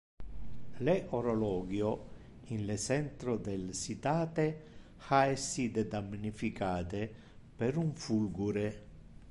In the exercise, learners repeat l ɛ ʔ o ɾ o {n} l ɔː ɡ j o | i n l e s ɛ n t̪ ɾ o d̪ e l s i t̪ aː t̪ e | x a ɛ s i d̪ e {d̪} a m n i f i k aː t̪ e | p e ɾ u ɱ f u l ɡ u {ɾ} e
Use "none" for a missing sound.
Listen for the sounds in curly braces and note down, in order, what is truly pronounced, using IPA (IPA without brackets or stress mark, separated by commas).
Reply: none, d̪, ɾ